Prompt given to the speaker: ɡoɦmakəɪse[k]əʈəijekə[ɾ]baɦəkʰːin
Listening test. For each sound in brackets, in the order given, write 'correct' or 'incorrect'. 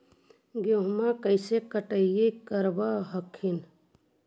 correct, correct

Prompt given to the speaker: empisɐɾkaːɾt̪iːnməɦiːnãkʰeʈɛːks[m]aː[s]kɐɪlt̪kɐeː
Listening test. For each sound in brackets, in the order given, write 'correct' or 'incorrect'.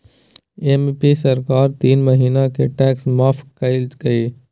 correct, incorrect: f

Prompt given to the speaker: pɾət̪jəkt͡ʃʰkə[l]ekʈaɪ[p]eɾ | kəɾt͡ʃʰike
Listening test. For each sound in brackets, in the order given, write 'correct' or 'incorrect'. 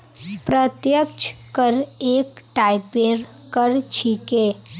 incorrect: ɾ, correct

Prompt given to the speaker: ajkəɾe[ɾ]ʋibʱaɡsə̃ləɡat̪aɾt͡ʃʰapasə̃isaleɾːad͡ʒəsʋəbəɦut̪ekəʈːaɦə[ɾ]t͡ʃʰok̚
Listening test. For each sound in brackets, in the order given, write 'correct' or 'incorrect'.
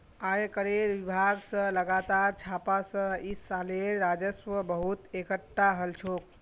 correct, incorrect: l

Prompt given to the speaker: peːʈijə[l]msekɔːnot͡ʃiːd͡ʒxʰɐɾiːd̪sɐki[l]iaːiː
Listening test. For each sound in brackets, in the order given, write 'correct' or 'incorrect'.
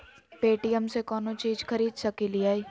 incorrect: none, correct

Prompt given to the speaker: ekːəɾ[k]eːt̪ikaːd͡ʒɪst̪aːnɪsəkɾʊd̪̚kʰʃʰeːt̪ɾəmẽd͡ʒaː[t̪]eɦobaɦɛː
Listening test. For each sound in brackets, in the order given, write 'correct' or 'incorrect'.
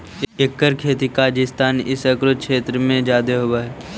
incorrect: kʰ, incorrect: d̪

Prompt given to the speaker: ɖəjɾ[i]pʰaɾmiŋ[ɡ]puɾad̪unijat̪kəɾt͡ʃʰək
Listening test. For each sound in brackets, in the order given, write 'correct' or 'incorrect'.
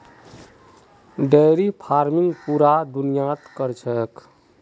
correct, correct

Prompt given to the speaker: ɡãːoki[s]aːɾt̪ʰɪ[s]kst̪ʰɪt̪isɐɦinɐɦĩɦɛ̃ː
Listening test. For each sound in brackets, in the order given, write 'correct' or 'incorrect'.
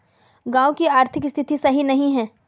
incorrect: none, incorrect: none

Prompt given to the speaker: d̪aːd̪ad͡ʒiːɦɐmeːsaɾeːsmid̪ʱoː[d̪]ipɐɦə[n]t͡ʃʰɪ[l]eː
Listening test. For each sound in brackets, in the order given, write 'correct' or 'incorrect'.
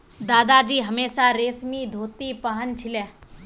incorrect: t̪, correct, correct

